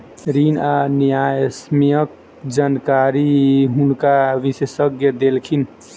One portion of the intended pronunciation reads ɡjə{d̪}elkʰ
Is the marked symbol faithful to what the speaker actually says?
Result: yes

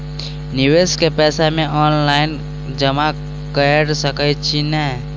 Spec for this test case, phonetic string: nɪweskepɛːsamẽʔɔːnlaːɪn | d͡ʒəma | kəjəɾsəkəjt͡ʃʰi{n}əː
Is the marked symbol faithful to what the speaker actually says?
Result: yes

